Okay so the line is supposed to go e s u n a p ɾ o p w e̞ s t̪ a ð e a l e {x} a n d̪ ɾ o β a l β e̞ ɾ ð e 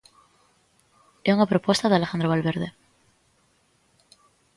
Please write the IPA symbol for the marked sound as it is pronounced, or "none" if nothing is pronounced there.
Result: x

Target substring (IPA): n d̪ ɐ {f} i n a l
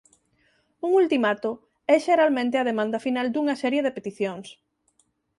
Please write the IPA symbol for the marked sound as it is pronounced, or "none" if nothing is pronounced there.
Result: f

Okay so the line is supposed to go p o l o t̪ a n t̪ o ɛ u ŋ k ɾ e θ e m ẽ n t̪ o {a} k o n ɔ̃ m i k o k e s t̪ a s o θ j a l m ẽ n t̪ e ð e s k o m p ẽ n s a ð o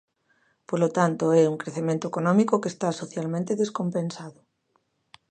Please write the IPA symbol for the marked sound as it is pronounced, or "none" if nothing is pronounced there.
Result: e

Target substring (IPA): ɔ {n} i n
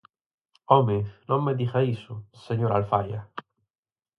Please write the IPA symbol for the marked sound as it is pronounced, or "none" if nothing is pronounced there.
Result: m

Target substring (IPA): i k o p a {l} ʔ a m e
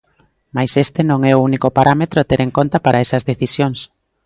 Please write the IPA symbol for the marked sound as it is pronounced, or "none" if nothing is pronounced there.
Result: ɾ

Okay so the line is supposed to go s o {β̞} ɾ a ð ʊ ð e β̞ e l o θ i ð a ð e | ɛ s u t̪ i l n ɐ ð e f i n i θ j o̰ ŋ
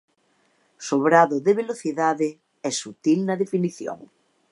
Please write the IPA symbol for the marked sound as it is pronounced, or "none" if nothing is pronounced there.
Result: β̞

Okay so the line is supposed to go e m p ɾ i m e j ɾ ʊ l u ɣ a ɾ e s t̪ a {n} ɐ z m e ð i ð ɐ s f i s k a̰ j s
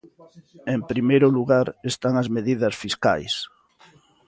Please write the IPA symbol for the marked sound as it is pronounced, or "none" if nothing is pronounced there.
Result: ŋ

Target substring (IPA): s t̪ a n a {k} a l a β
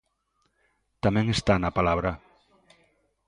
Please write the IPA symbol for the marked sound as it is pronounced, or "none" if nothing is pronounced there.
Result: p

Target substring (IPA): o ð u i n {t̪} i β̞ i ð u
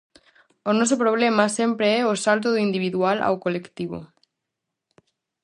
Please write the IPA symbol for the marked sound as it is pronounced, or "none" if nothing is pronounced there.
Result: d̪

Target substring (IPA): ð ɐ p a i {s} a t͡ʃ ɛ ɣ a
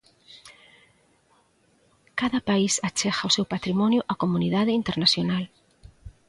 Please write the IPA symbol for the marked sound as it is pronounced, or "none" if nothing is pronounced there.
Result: s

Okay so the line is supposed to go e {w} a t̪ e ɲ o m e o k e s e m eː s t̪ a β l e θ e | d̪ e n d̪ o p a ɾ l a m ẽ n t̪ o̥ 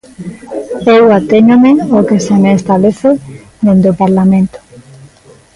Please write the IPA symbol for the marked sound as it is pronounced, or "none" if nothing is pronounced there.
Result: w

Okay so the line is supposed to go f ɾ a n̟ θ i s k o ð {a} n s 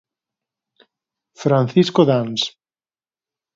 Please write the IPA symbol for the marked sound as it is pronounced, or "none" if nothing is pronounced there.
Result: a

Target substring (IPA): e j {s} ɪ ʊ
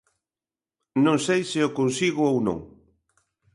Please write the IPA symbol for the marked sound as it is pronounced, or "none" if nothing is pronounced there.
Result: s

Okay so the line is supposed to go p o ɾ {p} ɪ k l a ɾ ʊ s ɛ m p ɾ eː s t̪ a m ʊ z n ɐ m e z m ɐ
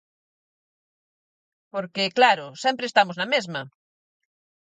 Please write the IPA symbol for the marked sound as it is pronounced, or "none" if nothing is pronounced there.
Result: k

